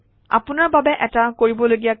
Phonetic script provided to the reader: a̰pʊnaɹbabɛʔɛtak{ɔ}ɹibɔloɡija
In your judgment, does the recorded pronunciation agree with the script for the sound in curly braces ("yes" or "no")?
no